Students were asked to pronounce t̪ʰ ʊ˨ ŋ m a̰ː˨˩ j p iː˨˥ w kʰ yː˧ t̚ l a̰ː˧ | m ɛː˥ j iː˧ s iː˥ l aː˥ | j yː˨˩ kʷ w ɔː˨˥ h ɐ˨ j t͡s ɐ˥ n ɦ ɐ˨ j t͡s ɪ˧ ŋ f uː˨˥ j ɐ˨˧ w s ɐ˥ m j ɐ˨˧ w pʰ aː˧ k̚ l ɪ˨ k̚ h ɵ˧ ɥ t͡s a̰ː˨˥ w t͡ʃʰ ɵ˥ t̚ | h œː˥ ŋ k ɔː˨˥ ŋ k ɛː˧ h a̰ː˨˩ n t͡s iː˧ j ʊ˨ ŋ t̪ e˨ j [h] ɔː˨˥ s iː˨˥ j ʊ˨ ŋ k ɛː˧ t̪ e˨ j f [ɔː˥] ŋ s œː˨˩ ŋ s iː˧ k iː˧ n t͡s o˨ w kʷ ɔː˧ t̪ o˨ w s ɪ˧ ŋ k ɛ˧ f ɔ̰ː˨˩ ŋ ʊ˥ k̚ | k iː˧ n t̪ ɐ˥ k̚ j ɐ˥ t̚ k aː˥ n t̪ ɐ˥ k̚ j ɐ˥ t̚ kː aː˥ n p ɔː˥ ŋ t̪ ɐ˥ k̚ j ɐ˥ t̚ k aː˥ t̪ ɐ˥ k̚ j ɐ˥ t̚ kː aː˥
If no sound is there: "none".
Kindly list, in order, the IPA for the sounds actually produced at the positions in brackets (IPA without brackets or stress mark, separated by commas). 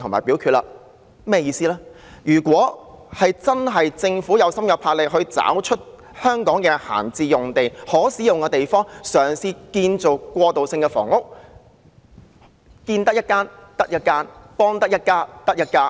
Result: h, ɔː˥